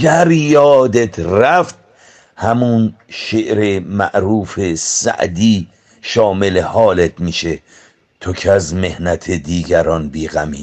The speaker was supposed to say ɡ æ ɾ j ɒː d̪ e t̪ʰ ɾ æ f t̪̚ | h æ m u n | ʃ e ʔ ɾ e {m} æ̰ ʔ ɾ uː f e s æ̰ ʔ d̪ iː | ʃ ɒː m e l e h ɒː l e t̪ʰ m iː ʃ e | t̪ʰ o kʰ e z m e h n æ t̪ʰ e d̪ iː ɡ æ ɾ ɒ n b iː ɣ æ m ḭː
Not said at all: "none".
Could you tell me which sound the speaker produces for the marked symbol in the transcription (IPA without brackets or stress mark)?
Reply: m